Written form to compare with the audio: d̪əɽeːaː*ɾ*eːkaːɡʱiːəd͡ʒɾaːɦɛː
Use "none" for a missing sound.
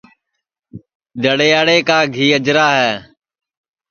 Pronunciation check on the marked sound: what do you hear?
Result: ɽ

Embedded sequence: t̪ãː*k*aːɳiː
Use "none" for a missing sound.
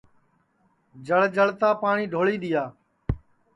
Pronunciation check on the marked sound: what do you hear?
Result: p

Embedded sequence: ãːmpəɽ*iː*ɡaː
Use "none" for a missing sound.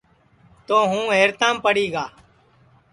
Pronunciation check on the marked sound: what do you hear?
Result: iː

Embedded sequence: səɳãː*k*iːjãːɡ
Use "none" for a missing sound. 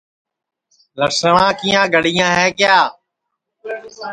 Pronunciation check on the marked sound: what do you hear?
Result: k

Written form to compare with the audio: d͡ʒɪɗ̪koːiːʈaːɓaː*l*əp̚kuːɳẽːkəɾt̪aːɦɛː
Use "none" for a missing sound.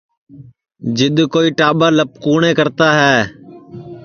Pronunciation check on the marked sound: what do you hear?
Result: l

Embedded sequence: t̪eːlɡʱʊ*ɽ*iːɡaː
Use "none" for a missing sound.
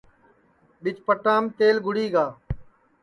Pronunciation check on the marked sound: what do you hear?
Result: ɽ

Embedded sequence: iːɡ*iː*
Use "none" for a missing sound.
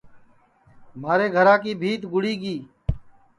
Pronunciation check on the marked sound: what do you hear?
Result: iː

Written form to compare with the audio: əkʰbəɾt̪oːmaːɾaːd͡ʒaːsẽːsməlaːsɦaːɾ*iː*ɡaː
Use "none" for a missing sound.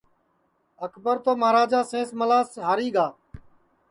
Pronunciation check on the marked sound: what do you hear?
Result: iː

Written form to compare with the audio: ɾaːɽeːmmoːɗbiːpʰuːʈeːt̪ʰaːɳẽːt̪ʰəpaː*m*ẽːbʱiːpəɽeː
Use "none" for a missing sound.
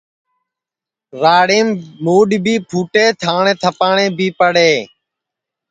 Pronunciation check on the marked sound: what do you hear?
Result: ɳ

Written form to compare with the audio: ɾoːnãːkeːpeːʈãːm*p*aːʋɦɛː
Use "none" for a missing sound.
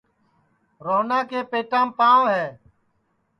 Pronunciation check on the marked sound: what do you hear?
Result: p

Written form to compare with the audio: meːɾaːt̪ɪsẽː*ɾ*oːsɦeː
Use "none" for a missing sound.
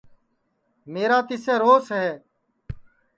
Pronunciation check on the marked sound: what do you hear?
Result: ɾ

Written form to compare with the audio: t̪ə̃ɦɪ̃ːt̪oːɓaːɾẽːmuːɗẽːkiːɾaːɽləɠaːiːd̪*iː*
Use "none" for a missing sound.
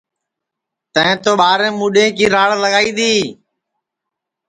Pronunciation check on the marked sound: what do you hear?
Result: iː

